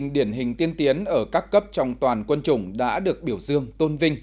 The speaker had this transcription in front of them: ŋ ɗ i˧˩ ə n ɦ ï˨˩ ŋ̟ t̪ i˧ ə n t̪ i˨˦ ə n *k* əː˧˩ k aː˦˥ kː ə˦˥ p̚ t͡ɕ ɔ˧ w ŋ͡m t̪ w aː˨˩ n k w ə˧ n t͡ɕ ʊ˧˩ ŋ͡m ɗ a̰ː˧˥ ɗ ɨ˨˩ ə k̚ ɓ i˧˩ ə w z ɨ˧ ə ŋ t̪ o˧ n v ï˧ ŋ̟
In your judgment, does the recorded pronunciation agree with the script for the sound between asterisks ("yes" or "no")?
no